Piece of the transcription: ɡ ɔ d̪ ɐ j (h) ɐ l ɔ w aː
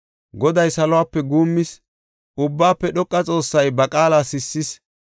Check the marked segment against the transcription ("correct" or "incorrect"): incorrect